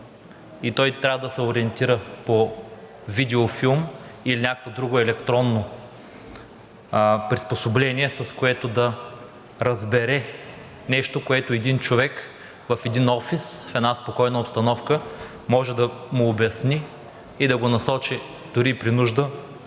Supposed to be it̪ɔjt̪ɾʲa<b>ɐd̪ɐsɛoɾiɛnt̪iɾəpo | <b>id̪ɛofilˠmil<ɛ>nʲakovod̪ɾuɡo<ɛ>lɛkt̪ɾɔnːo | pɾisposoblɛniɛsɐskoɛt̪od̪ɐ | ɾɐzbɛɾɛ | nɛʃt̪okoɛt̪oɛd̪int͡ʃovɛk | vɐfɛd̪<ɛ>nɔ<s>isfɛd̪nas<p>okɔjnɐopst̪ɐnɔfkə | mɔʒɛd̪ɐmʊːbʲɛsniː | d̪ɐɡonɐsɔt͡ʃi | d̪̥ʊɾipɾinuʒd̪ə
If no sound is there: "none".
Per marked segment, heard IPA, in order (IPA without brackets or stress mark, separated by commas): v, v, i, ɛ, i, f, p